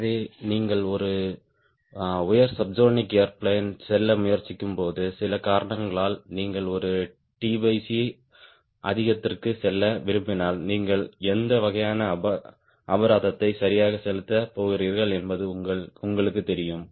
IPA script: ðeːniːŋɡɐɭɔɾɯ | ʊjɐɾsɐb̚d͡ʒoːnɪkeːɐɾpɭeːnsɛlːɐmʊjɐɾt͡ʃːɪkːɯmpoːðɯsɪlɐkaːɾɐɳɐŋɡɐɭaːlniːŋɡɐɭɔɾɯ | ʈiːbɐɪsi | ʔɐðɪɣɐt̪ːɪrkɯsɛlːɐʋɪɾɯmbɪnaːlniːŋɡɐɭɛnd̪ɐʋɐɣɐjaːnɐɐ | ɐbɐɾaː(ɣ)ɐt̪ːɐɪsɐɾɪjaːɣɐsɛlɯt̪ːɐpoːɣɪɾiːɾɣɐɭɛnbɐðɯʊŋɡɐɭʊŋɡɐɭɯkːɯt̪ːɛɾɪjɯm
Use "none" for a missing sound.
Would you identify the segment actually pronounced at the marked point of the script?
ð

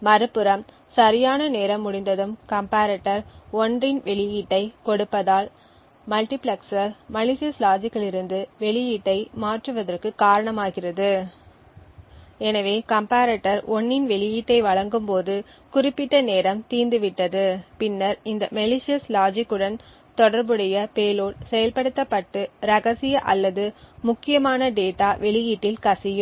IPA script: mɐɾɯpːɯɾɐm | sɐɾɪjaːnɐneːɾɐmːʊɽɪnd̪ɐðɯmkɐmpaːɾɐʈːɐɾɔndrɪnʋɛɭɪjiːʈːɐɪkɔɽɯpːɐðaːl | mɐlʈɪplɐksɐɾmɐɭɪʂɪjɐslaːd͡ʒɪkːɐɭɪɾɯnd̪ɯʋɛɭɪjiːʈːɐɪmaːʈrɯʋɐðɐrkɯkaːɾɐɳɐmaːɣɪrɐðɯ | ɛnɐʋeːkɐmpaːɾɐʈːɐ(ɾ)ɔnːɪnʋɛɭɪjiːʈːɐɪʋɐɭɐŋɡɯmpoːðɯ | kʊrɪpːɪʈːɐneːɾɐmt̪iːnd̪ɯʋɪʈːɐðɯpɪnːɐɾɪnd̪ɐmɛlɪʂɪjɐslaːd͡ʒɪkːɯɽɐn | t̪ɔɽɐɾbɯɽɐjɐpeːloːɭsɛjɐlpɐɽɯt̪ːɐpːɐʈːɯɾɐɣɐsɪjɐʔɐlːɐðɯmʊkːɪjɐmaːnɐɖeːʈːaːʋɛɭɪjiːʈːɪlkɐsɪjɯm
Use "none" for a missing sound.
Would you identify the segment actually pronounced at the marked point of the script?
ɾ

